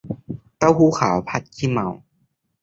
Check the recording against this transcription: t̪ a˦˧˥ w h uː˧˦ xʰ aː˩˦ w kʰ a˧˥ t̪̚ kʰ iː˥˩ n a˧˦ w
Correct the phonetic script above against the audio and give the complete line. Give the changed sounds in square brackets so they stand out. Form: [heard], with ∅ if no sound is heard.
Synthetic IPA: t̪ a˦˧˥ w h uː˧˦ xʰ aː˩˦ w [pʰ] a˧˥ t̪̚ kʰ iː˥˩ [m] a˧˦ w